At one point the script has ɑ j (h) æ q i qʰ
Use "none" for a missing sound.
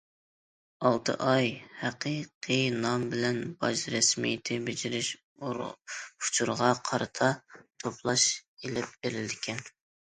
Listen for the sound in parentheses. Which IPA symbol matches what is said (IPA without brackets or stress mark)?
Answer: h